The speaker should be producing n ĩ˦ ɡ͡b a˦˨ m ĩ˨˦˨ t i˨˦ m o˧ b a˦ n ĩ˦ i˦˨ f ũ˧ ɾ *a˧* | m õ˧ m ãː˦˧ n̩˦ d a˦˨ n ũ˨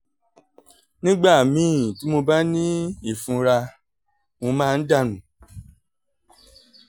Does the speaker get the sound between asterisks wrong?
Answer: no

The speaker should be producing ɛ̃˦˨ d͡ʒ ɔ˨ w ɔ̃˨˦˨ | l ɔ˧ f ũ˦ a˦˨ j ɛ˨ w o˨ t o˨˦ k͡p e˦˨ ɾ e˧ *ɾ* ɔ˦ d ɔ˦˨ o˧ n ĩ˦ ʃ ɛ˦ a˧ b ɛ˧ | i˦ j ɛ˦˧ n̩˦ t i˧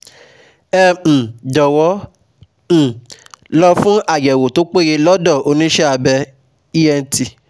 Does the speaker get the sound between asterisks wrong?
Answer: yes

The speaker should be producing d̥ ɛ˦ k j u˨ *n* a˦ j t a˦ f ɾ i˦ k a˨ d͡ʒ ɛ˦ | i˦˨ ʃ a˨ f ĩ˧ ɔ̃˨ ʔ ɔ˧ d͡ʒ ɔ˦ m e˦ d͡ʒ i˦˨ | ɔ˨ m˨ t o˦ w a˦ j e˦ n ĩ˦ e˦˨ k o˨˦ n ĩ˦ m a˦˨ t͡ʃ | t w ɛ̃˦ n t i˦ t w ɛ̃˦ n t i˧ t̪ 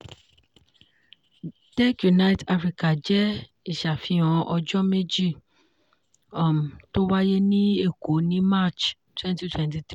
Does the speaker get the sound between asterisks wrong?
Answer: no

